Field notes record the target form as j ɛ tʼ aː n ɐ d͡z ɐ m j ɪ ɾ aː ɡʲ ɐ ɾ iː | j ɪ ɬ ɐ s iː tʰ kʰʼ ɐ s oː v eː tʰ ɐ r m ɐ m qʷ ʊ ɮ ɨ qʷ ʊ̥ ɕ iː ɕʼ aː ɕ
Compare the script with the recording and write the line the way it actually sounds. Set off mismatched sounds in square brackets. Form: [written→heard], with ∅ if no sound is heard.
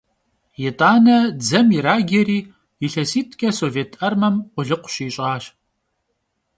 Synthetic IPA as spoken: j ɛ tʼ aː n ɐ d͡z ɐ m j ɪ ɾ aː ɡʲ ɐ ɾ iː | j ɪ ɬ ɐ s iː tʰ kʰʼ ɐ s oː v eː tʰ ɐ r m ɐ m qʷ ʊ ɮ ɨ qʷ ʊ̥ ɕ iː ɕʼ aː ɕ